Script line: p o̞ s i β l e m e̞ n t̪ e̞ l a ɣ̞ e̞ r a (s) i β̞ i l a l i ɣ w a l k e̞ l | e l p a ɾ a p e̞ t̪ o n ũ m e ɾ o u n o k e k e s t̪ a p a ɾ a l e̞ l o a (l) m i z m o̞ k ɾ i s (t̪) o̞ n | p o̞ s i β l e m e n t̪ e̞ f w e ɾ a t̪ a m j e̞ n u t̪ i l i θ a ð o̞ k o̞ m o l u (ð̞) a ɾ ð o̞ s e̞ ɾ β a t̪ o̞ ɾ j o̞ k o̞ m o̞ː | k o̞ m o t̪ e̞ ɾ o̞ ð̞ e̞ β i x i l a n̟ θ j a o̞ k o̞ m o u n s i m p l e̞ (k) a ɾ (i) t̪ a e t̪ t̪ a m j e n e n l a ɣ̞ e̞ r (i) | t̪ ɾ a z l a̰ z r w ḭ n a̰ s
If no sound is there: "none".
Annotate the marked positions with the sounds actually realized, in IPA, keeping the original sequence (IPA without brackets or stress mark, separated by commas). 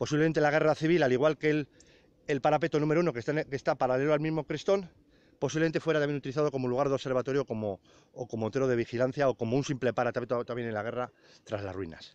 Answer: θ, l, t̪, ɣ̞, p, a, a